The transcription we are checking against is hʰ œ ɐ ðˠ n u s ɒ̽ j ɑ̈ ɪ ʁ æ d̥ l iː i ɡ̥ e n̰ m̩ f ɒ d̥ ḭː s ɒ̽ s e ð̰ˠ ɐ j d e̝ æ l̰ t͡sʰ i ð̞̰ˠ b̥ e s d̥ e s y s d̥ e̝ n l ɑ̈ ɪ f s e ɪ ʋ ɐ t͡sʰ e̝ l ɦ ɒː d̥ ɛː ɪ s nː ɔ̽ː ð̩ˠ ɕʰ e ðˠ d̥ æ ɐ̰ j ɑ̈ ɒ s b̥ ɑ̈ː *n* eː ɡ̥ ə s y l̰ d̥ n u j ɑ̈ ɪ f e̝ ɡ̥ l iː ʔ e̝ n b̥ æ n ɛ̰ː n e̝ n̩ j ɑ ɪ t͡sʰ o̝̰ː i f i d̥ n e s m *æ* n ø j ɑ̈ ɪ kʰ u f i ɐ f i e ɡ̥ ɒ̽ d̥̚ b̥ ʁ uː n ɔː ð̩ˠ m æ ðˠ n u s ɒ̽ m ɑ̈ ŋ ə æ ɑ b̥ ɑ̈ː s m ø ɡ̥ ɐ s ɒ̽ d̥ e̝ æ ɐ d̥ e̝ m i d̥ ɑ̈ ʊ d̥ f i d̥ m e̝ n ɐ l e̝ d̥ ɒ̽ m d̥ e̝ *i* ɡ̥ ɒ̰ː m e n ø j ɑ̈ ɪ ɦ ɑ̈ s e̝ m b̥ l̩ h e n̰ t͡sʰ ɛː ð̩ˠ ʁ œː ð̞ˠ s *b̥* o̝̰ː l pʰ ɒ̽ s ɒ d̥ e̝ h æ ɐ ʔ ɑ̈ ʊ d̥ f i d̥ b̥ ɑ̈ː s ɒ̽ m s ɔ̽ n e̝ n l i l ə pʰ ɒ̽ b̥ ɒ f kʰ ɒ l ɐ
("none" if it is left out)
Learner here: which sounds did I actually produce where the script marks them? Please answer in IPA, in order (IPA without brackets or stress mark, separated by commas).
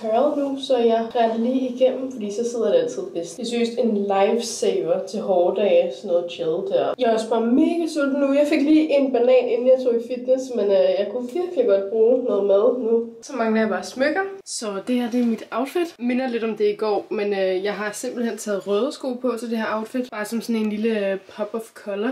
m, e, i, ɡ̥